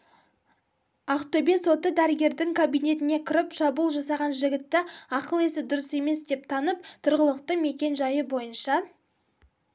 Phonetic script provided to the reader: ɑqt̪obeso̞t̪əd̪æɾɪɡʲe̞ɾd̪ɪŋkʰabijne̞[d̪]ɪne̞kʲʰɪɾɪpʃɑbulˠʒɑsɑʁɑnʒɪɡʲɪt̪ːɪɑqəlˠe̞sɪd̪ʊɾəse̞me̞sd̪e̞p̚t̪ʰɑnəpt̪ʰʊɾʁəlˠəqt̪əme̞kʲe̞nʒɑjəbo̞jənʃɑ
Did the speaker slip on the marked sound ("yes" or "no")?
yes